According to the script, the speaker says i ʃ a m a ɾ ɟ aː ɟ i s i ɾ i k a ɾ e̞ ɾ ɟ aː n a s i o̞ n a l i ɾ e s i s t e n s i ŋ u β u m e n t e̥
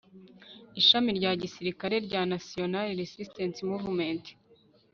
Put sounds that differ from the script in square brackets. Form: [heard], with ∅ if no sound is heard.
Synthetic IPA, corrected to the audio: i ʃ a m [i] ɾ ɟ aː ɟ i s i ɾ i k a ɾ e̞ ɾ ɟ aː n a s i o̞ n a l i ɾ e s i s t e n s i [m] u [v] u m e n t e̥